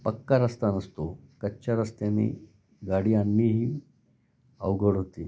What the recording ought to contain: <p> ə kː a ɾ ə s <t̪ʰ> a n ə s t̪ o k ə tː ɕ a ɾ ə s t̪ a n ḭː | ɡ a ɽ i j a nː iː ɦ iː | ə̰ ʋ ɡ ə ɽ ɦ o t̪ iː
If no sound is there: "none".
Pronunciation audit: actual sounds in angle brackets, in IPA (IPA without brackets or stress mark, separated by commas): p, t̪